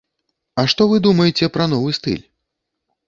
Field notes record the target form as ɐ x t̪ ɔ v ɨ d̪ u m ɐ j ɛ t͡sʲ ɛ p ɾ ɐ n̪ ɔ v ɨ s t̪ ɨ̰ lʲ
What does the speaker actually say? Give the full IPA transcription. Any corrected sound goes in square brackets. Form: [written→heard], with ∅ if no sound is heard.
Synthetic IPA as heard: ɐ [x→ʂ] t̪ ɔ v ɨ d̪ u m ɐ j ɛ t͡sʲ ɛ p ɾ ɐ n̪ ɔ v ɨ s t̪ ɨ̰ lʲ